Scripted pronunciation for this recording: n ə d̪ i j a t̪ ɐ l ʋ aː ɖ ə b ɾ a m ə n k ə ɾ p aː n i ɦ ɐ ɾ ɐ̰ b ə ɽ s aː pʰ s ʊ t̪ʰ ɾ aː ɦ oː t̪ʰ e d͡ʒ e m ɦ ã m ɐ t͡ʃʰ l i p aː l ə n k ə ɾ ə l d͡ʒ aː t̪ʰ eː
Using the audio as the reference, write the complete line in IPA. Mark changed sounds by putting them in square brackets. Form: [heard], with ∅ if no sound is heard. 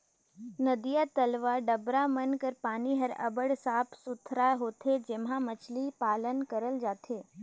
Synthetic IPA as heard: n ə d̪ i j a t̪ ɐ l ʋ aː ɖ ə b ɾ a m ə n k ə ɾ p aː n i ɦ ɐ ɾ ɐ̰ b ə ɽ s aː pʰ s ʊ t̪ʰ ɾ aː ɦ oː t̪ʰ e d͡ʒ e m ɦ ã m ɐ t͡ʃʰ l i p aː l ə n k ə ɾ ə l d͡ʒ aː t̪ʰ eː